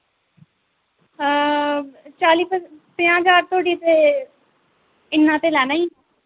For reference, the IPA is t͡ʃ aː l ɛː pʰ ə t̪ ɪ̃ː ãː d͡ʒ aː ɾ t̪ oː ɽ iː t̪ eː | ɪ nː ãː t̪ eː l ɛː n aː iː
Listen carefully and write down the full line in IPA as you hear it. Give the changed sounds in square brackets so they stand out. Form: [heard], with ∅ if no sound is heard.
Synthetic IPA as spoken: t͡ʃ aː l [iː] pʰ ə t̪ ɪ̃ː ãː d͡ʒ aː ɾ t̪ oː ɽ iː t̪ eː | ɪ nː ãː t̪ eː l ɛː n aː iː